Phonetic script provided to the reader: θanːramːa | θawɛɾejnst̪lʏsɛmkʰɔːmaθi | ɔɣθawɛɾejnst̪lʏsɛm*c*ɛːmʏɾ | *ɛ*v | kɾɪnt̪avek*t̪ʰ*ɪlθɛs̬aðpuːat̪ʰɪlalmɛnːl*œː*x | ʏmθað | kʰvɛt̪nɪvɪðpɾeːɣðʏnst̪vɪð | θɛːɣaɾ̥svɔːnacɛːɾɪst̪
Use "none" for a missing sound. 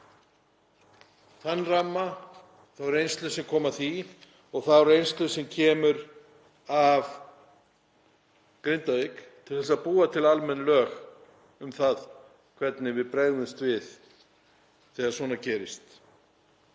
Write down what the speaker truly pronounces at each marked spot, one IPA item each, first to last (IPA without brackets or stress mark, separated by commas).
cʰ, a, t̪ʰ, œː